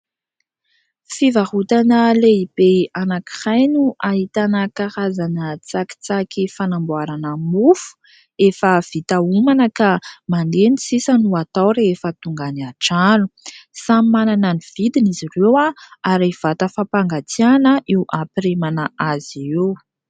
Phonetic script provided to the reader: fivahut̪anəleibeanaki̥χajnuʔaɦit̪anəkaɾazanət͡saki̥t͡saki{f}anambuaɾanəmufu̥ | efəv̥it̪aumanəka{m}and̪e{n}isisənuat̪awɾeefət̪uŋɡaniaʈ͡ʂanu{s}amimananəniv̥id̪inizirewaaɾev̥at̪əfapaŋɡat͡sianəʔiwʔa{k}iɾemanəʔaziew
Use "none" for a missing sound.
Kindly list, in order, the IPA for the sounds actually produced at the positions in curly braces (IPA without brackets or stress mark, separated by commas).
f, m, n, s, p